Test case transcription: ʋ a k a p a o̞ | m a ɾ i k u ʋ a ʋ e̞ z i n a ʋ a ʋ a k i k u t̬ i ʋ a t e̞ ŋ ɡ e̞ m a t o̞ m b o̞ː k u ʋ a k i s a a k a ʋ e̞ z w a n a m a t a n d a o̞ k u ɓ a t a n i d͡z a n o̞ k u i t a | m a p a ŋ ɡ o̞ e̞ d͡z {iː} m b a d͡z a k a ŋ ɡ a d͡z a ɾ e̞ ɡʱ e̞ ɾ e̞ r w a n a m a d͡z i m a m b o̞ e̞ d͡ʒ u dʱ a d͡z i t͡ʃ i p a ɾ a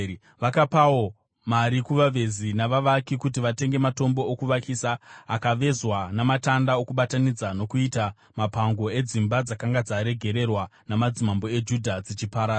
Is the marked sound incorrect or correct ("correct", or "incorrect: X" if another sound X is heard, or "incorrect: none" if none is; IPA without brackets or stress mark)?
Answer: incorrect: i